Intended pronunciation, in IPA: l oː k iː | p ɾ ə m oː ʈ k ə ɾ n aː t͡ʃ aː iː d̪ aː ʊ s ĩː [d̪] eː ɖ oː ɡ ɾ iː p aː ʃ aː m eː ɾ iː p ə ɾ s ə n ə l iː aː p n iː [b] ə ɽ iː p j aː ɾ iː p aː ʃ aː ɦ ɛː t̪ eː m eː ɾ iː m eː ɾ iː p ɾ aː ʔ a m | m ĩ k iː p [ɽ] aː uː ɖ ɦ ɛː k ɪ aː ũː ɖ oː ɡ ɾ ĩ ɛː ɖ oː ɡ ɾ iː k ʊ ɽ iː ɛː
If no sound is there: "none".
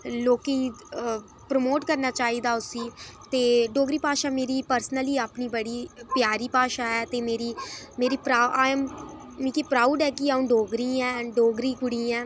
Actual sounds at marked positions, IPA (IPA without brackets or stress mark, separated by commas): t̪, b, ɾ